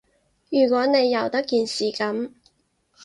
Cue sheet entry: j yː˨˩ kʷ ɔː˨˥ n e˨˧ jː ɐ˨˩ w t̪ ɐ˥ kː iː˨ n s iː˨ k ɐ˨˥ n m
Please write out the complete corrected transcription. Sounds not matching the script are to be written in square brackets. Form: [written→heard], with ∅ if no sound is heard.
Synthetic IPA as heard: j yː˨˩ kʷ ɔː˨˥ n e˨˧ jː ɐ˨˩ w t̪ ɐ˥ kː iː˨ n s iː˨ k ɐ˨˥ [n→∅] m

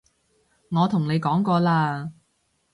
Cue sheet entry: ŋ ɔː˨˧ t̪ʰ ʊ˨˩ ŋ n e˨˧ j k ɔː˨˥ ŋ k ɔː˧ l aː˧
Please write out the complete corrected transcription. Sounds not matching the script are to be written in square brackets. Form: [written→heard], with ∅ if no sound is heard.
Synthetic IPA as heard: ŋ ɔː˨˧ t̪ʰ ʊ˨˩ ŋ n e˨˧ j k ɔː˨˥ ŋ k ɔː˧ l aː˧

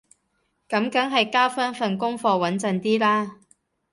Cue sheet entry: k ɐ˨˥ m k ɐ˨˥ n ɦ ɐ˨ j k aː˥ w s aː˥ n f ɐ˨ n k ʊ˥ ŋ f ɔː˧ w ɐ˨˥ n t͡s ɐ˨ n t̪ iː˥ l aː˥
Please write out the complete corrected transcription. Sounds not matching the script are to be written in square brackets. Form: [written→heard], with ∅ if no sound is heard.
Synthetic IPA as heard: k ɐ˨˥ m k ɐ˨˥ [n→ŋ] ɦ ɐ˨ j k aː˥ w [s→f] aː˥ n f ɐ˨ n k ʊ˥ ŋ f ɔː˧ w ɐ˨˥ n t͡s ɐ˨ n t̪ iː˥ l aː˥

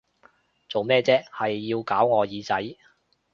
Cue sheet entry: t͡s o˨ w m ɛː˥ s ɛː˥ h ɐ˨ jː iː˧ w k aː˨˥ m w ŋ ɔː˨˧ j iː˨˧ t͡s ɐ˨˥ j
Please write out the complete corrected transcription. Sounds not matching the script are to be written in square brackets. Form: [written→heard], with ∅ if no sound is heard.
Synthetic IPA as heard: t͡s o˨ w m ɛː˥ [s→t͡s] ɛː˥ h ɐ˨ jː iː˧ w k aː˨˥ [m→∅] w ŋ ɔː˨˧ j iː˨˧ t͡s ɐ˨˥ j

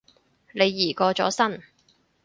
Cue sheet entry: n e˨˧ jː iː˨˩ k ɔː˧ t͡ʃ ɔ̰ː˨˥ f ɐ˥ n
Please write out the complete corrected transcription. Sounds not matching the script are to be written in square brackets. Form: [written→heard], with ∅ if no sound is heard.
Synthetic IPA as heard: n e˨˧ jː iː˨˩ k ɔː˧ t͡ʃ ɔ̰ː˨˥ [f→s] ɐ˥ n

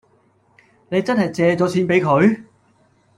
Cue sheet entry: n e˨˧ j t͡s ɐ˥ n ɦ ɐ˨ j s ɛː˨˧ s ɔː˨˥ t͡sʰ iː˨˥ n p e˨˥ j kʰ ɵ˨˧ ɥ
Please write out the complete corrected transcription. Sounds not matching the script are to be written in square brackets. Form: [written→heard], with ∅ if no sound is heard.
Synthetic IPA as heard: n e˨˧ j t͡s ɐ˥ n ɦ ɐ˨ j [s→t͡s] ɛː˨˧ [s→t͡s] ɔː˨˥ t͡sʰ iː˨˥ n p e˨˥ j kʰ ɵ˨˧ ɥ

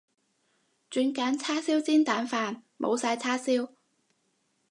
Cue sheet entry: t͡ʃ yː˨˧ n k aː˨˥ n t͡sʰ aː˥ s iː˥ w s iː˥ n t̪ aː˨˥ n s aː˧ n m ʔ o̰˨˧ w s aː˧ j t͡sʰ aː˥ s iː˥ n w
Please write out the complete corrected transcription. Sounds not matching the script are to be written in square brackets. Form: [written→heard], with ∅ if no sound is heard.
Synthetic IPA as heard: t͡ʃ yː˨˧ n k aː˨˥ n t͡sʰ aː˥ s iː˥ w [s→t͡s] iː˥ n t̪ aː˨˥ n [s→f] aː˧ n m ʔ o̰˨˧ w s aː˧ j t͡sʰ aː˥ s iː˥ [n→∅] w

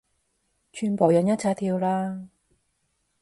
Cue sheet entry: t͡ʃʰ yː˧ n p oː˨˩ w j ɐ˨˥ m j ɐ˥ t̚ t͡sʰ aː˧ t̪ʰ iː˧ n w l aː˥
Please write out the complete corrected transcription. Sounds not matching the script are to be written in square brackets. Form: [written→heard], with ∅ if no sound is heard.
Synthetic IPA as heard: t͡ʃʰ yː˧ n p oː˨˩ w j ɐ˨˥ [m→n] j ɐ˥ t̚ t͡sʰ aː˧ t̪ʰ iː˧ [n→∅] w l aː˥

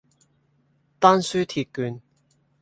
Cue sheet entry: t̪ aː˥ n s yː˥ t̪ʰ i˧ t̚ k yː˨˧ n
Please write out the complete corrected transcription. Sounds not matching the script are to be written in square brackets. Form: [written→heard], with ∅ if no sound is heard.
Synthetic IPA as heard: t̪ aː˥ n s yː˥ t̪ʰ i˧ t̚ k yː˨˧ n

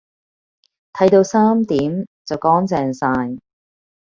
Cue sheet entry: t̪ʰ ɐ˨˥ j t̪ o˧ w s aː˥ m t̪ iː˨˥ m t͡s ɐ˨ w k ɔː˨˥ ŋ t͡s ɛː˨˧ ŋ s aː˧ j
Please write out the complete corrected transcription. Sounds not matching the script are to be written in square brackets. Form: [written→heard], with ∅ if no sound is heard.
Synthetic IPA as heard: t̪ʰ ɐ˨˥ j t̪ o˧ w s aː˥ m t̪ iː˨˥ m t͡s ɐ˨ w k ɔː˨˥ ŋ t͡s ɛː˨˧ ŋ s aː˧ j

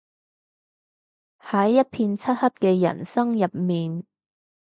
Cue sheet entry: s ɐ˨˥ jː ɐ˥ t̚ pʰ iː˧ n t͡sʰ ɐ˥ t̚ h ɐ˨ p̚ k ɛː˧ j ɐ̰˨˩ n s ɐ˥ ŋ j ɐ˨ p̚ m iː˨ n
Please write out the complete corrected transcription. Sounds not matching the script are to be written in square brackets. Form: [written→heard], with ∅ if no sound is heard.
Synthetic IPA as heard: [s→h] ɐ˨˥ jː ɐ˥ t̚ pʰ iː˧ n t͡sʰ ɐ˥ t̚ h [ɐ˨→ɐ˥] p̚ k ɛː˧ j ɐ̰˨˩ n s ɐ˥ ŋ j ɐ˨ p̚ m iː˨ n

